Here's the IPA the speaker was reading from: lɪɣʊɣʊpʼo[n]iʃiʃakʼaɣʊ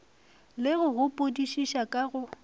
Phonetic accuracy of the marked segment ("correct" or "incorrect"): incorrect